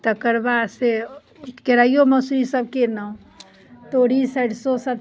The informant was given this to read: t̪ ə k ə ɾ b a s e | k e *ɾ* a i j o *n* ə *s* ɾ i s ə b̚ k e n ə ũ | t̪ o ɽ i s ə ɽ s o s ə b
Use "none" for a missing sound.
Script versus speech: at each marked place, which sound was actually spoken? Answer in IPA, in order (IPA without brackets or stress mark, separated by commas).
ɾ, m, s